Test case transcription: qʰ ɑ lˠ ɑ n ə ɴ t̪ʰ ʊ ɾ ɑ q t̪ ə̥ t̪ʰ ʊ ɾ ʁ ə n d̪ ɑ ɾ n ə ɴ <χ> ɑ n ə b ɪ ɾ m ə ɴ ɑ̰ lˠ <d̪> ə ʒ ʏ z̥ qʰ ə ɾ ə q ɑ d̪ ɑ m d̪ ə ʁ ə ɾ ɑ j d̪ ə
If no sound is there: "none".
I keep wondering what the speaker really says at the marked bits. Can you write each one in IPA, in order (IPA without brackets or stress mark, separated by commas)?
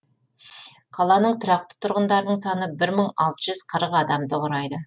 s, t̪